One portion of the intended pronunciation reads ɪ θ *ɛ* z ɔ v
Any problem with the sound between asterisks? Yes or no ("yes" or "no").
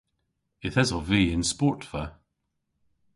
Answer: no